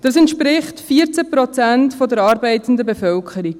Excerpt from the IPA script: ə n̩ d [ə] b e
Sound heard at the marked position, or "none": ə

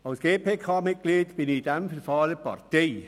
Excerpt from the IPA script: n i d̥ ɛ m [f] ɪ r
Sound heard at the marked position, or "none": f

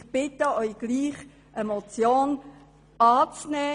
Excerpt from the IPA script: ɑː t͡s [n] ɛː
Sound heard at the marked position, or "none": n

